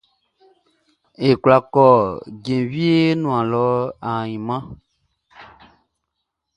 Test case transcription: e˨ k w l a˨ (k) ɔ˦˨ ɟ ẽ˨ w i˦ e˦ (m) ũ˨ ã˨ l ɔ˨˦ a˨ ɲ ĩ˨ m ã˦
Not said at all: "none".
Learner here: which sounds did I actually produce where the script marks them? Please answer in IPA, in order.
k, n

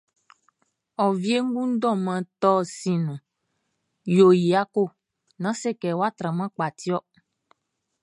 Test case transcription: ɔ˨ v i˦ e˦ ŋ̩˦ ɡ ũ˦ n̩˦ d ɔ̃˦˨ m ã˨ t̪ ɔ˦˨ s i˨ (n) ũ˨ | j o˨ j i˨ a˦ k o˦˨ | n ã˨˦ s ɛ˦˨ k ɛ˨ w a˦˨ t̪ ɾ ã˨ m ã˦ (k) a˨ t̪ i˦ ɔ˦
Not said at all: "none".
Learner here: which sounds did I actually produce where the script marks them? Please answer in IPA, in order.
n, k͡p

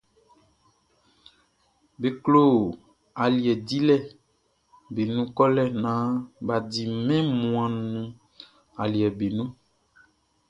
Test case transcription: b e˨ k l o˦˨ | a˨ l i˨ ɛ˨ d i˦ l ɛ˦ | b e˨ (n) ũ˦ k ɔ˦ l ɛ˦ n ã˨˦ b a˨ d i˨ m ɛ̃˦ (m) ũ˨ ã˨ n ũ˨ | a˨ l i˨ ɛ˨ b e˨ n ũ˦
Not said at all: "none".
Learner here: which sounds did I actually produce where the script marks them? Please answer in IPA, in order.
n, m

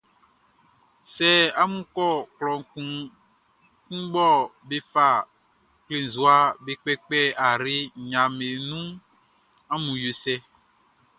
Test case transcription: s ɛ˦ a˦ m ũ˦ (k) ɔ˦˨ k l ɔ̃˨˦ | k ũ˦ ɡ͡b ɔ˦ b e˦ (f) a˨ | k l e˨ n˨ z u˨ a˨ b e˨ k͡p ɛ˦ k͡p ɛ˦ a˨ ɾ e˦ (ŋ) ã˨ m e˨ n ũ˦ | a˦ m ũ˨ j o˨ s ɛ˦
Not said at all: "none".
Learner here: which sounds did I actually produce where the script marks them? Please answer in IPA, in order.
k, f, ɲ

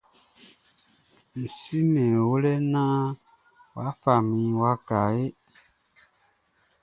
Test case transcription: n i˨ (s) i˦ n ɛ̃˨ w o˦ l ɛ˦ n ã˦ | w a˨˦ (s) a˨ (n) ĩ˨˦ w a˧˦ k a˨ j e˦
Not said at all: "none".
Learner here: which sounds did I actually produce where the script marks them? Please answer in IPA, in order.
s, f, m

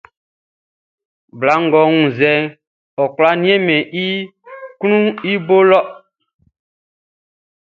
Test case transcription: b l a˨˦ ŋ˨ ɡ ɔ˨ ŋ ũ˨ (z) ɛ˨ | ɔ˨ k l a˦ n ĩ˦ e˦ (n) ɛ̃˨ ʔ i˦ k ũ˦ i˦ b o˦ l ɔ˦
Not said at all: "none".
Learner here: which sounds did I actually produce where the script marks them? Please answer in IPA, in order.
z, m

